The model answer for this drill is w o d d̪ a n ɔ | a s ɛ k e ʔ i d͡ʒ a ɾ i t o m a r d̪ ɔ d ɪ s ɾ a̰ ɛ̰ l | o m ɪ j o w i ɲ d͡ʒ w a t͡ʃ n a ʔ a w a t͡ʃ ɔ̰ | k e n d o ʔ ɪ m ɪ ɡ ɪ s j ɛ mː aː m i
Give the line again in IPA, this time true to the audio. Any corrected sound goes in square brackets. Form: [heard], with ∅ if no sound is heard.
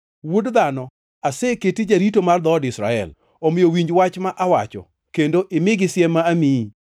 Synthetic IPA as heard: w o d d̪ a n ɔ | a s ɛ k e [t] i d͡ʒ a ɾ i t o m a r d̪ ɔ d ɪ s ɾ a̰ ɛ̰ l | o m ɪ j o w i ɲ d͡ʒ w a t͡ʃ [m] a ʔ a w a t͡ʃ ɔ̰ | k e n d o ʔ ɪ m ɪ ɡ ɪ s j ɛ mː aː m i

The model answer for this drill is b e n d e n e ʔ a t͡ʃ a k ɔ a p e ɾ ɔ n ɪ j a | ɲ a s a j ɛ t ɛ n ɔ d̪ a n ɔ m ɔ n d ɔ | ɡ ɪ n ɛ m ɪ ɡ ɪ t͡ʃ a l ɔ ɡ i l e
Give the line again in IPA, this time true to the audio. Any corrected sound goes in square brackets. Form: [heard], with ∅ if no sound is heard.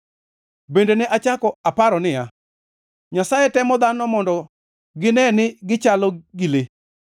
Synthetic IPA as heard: b e n d e n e ʔ a t͡ʃ a k ɔ a p [a] ɾ ɔ n ɪ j a | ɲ a s a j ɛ t ɛ [m] ɔ d̪ a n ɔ m ɔ n d ɔ | ɡ ɪ n ɛ [n] ɪ ɡ ɪ t͡ʃ a l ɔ ɡ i l e

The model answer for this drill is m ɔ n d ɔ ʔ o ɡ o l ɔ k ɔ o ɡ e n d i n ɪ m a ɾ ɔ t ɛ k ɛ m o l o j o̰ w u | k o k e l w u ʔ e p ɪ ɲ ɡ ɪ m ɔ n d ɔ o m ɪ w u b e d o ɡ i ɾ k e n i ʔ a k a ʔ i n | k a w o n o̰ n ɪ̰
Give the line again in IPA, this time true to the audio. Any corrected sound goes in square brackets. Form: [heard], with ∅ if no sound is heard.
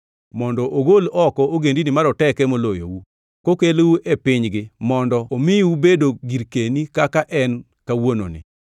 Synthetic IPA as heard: m ɔ n d ɔ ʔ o ɡ o l ɔ k ɔ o ɡ e n d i n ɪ m a ɾ ɔ t ɛ k ɛ m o l o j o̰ w u | k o k e l w u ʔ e p ɪ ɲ ɡ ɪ m ɔ n d ɔ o m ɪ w u b e d o ɡ i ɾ k e n i [k] a k a ʔ [ɛ] n | k a w o n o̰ n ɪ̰

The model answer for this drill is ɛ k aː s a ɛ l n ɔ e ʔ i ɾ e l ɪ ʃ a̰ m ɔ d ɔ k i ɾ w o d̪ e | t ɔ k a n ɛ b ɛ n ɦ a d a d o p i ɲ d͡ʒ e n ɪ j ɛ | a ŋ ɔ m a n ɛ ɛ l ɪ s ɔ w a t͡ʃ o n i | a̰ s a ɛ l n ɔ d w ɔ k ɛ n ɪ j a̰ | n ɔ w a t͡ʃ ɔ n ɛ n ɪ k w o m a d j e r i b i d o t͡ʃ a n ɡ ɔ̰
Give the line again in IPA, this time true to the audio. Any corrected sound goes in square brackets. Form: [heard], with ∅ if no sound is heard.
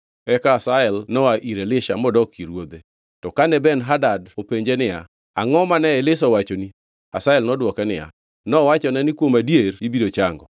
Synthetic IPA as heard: ɛ k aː s a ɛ l n ɔ [a] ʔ i ɾ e l ɪ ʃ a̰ m ɔ d ɔ k i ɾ w o d̪ e | t ɔ k a n ɛ b ɛ n ɦ a d a d o p [e] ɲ d͡ʒ e n ɪ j [a] | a ŋ ɔ m a n ɛ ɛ l ɪ s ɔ w a t͡ʃ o n i | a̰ s a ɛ l n ɔ d w ɔ k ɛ n ɪ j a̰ | n ɔ w a t͡ʃ ɔ n ɛ n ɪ k w o m a d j e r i b i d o t͡ʃ a [ŋ] ɡ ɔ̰

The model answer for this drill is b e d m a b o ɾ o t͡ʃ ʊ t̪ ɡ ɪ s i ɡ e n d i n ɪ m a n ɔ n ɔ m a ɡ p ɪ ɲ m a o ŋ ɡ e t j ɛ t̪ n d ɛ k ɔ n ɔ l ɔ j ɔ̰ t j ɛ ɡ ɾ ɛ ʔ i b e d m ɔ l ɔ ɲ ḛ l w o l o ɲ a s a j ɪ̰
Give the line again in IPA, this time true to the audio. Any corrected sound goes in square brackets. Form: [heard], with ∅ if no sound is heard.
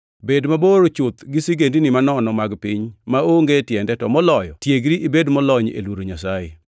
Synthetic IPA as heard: b e d m a b o ɾ o t͡ʃ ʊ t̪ ɡ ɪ s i ɡ e n d i n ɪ m a n ɔ n ɔ m a ɡ p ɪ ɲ m a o ŋ ɡ e t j ɛ [∅] n d ɛ [t] ɔ [m] ɔ l ɔ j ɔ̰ t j [e] ɡ ɾ [i] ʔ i b e d m ɔ l ɔ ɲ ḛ l w o [ɾ] o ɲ a s a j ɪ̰

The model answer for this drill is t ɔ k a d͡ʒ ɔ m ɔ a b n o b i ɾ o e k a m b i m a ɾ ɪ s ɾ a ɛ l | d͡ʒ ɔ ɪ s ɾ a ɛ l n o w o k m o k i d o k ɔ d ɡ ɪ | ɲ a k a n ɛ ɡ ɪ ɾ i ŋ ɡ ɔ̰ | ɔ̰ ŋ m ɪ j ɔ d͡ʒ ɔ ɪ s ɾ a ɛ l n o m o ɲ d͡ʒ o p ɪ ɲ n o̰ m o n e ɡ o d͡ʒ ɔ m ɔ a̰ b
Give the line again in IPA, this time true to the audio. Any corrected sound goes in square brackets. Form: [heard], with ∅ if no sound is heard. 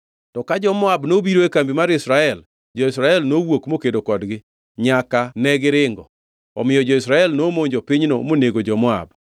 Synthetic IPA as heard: t ɔ k a d͡ʒ ɔ m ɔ a b n o b i ɾ o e k a m b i m a ɾ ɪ s ɾ a ɛ l | d͡ʒ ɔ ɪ s ɾ a ɛ l n o w o k m o k [e] d o k ɔ d ɡ ɪ | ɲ a k a n ɛ ɡ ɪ ɾ [ɪ] ŋ ɡ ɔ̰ | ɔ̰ [∅] m ɪ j ɔ d͡ʒ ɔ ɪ s ɾ a ɛ l n o m o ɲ d͡ʒ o p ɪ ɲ n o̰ m o n e ɡ o d͡ʒ ɔ m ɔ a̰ b

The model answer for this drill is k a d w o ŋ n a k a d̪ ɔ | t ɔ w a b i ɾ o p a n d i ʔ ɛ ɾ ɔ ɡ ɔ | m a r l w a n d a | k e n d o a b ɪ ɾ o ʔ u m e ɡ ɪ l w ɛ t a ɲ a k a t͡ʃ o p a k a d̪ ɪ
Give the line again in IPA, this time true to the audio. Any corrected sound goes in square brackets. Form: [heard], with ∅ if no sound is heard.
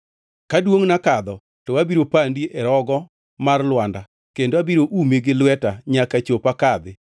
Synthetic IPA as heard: k a d w o ŋ n a k a d̪ ɔ | t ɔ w a b i ɾ o p a n d i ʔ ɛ ɾ ɔ ɡ ɔ | m a r l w a n d a | k e n d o a b [i] ɾ o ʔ u m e ɡ ɪ l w ɛ t a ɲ a k a t͡ʃ o p a k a d̪ ɪ

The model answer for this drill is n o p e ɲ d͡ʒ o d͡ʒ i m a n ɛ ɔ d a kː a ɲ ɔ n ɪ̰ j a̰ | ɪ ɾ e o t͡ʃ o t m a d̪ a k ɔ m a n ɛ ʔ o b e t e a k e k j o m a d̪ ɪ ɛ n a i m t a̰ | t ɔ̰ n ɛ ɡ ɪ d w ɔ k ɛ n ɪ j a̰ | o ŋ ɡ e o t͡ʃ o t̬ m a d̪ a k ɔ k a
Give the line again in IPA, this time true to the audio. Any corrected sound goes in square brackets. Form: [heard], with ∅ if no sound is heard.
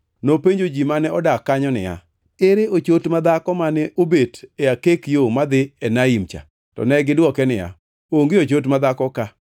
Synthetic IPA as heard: n o p e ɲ d͡ʒ o d͡ʒ i m a n ɛ ɔ d a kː a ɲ ɔ n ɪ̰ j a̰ | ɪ ɾ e o t͡ʃ o t m a d̪ a k ɔ m a n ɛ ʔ o b e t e a k e k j o m a d̪ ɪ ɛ n a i m [t͡ʃ] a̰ | t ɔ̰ n ɛ ɡ ɪ d w ɔ k ɛ n ɪ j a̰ | o ŋ ɡ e o t͡ʃ o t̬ m a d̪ a k ɔ k a

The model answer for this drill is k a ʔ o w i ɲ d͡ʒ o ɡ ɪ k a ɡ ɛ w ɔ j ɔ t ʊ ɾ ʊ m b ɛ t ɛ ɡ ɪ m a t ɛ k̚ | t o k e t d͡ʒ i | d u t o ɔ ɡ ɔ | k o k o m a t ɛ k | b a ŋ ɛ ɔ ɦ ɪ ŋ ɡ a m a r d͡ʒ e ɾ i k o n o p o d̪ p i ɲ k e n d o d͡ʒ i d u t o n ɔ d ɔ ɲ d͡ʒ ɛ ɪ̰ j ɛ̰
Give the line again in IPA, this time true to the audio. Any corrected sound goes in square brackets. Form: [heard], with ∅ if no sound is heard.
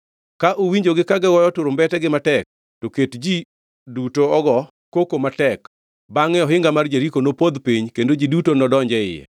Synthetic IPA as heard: k a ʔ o w i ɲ d͡ʒ o ɡ ɪ k a ɡ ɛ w ɔ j ɔ t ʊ ɾ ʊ m b ɛ t ɛ ɡ ɪ m a t ɛ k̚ | t o k e t d͡ʒ i | d u t o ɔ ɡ ɔ | k o k o m a t ɛ k | b a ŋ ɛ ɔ ɦ ɪ ŋ ɡ a m a r d͡ʒ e ɾ i k o n o p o d̪ p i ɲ k e n d o d͡ʒ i d u t o n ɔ d ɔ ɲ d͡ʒ ɛ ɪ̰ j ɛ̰

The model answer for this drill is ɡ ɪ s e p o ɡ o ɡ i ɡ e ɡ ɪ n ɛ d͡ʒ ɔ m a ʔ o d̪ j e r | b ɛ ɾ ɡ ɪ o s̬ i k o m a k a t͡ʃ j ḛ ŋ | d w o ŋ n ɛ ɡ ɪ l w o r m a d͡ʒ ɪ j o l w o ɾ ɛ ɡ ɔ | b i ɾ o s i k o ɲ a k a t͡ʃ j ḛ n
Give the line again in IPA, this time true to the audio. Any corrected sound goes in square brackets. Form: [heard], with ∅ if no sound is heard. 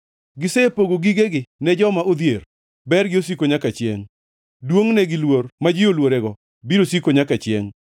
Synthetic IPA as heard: ɡ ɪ s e p o ɡ o ɡ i ɡ e ɡ ɪ n ɛ d͡ʒ ɔ m a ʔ o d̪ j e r | b ɛ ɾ ɡ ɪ o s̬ i k o [ɲ] a k a t͡ʃ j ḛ ŋ | d w o ŋ n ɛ ɡ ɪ l w o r m a d͡ʒ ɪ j o l w o ɾ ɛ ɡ ɔ | b i ɾ o s i k o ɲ a k a t͡ʃ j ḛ [ŋ]

